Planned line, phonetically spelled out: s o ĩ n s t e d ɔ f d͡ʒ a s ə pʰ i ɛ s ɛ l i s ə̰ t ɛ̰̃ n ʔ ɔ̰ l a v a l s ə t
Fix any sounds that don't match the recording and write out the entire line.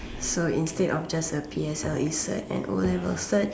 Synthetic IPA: s o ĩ n s t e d ɔ f d͡ʒ a s ə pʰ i ɛ s ɛ l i s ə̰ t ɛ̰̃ n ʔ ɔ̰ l ɛ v ə l s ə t